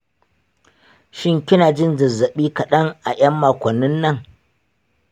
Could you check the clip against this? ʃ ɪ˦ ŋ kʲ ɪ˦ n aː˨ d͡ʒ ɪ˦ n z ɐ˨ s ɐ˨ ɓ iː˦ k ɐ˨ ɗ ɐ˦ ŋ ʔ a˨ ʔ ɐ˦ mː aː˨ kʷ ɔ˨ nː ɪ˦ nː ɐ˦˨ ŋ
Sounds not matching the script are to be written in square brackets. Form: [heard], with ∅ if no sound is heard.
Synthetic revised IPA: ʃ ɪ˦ ŋ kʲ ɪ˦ n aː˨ d͡ʒ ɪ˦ n z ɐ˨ [z] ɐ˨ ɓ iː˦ k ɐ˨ ɗ ɐ˦ ŋ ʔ a˨ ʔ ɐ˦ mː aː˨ kʷ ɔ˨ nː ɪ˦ nː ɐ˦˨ ŋ